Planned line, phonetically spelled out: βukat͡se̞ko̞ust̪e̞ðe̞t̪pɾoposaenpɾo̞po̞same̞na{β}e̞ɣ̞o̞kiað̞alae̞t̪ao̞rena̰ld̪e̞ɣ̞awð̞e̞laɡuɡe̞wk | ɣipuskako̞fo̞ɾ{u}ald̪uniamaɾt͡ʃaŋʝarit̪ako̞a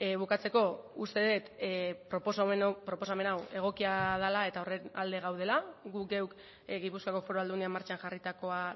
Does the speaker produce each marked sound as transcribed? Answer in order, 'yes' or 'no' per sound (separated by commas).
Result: no, no